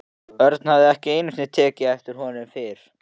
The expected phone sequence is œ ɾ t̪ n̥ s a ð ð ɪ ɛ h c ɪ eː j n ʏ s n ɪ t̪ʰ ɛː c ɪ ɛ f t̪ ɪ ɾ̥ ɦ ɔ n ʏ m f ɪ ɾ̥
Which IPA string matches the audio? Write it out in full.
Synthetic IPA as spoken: œ ɾ t̪ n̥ h a v ð ɪ ɛ h c ɪ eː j n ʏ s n ɪ t̪ʰ ɛː c ɪ ɛ f t̪ ɪ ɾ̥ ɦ ɔ n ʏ m f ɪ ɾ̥